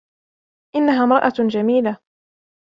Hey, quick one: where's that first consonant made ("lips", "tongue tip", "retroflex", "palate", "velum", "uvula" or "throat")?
throat